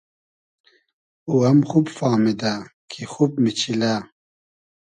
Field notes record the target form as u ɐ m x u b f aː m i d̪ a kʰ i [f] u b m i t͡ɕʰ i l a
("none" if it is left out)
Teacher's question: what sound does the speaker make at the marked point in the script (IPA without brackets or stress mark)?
x